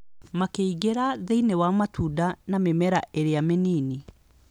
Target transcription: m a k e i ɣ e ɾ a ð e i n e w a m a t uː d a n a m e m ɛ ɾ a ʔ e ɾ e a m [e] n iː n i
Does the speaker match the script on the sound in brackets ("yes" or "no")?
yes